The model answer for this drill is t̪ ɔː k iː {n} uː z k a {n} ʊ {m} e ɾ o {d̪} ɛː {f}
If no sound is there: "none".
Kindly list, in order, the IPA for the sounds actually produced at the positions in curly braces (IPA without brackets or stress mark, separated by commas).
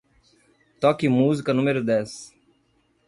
m, n, m, d̪, s